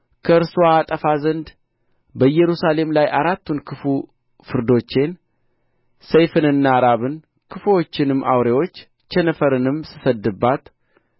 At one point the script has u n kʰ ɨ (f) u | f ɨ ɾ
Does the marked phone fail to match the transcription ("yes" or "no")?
no